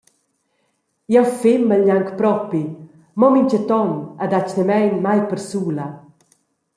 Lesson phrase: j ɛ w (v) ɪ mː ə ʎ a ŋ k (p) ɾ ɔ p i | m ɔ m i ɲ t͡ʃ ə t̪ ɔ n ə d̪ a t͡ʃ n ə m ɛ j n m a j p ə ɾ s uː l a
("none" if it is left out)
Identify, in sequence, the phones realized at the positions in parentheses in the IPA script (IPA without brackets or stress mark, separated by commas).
f, p